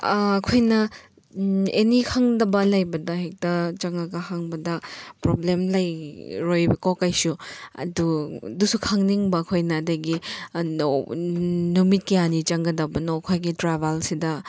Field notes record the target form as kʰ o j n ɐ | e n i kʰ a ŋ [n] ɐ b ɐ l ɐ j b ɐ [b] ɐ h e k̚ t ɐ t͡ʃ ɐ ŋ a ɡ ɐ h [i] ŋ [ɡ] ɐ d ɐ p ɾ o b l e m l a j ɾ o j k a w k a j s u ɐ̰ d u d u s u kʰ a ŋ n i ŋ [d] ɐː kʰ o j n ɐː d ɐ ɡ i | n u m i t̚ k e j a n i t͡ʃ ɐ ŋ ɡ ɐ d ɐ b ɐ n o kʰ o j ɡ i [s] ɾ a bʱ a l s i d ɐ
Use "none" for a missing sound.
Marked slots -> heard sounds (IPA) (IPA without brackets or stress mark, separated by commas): d, d, a, b, b, t